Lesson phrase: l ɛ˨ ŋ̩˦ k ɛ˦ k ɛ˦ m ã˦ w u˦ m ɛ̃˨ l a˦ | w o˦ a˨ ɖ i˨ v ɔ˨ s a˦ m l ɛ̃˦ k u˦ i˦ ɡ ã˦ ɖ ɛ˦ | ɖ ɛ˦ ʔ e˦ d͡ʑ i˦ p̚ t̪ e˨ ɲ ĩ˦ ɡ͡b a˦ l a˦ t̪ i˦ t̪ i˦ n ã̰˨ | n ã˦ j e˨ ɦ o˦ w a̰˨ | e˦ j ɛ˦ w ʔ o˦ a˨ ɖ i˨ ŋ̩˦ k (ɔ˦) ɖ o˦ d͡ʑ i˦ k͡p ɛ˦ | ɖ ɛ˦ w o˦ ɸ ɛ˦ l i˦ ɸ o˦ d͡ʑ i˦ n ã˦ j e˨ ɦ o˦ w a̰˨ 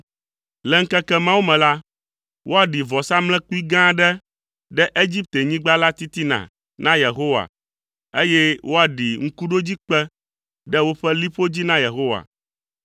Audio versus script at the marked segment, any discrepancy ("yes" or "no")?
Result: yes